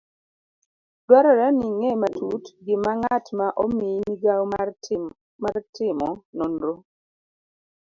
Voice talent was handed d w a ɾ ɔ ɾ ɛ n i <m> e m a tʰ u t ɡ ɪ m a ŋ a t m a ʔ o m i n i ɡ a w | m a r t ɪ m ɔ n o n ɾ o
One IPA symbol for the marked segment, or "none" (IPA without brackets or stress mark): ŋ